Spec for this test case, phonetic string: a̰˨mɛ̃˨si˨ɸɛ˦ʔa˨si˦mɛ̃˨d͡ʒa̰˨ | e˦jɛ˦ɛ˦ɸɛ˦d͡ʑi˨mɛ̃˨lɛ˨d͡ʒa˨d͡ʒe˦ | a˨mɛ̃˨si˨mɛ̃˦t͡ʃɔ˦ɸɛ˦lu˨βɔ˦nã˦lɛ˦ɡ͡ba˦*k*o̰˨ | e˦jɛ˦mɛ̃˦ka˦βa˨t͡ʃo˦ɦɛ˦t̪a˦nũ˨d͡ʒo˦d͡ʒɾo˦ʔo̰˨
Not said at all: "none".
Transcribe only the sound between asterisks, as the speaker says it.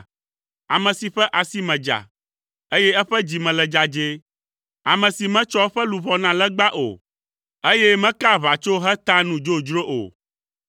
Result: ʔ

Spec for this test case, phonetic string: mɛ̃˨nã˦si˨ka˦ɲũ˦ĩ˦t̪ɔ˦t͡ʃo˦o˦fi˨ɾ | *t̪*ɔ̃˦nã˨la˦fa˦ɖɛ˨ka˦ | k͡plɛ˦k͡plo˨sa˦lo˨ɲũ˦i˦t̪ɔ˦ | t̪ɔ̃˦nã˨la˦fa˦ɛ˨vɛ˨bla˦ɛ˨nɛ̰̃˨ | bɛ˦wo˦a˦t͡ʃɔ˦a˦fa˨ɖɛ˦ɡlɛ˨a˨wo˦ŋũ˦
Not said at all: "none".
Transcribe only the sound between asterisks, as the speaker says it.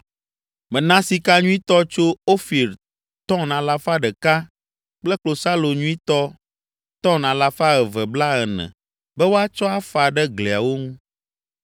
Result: t̪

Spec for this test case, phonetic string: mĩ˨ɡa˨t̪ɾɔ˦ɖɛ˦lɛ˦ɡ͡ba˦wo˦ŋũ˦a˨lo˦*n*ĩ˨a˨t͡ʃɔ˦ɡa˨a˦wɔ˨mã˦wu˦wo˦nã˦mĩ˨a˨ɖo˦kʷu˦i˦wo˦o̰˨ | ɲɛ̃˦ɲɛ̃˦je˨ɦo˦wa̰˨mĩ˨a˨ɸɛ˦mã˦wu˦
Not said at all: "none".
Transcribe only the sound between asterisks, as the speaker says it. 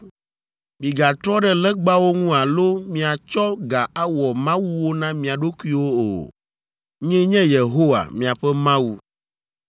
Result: m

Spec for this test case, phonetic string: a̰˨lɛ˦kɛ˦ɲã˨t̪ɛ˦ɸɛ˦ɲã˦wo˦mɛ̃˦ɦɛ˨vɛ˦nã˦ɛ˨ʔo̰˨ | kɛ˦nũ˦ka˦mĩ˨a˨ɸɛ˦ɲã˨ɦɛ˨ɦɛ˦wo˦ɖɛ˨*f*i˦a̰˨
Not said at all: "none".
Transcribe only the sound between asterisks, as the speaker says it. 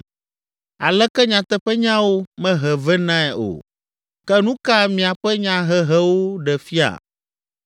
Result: f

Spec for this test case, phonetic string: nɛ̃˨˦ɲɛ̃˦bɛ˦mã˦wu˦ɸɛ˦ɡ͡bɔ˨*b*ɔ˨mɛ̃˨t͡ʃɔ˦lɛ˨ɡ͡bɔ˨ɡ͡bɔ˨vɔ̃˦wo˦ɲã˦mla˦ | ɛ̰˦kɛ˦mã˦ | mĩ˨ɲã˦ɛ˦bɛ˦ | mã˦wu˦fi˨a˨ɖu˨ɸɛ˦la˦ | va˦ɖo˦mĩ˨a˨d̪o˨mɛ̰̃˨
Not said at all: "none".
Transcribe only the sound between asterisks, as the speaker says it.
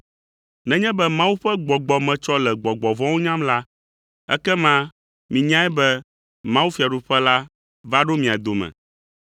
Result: ɡ͡b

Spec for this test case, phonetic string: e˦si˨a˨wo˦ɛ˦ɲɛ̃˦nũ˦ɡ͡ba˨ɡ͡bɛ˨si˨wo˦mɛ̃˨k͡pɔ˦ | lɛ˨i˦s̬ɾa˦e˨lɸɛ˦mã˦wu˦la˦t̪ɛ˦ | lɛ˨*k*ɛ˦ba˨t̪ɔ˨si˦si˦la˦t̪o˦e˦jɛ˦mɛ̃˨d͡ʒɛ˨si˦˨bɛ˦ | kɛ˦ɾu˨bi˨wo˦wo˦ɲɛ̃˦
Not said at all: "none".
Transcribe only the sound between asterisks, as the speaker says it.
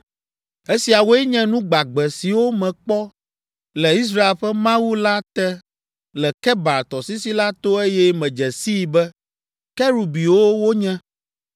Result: k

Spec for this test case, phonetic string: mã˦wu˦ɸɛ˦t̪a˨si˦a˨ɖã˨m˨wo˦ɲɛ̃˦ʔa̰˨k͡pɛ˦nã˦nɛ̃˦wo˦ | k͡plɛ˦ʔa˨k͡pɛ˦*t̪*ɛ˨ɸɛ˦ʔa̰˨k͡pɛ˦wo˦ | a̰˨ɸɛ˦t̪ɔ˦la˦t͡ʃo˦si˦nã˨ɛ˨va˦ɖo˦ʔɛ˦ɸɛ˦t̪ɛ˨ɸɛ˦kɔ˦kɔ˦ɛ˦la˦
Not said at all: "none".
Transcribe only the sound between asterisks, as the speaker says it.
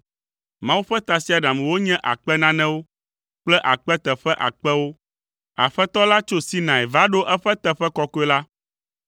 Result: t̪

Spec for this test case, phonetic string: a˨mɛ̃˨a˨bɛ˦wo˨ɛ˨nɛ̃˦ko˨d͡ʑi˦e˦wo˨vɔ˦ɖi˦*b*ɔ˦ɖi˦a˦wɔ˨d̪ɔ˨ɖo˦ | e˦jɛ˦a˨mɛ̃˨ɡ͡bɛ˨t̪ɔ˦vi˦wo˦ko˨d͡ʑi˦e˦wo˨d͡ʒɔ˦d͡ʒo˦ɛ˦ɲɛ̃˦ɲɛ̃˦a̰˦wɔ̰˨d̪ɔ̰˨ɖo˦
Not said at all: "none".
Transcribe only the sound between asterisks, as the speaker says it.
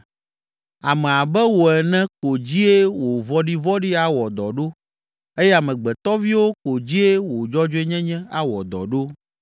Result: v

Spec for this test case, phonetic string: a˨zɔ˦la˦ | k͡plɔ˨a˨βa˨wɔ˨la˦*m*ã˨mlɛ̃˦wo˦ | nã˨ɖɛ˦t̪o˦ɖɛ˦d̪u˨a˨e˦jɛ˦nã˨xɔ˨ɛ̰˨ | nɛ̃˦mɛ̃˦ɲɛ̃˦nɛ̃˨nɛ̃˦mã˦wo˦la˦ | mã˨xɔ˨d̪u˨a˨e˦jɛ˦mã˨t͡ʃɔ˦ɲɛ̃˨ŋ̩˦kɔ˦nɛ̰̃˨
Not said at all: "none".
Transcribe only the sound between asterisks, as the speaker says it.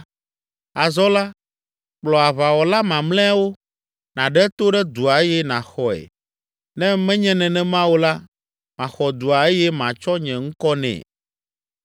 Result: m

